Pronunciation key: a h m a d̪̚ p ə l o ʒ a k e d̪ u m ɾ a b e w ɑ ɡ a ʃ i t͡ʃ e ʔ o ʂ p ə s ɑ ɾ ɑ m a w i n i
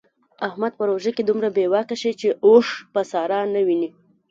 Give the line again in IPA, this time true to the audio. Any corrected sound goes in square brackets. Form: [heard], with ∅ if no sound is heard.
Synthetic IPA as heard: a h m a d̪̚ p ə [ɾ] o ʒ a k e d̪ u m ɾ a b e w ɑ [k] a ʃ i t͡ʃ e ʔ o ʂ p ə s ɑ ɾ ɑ [n] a w i n i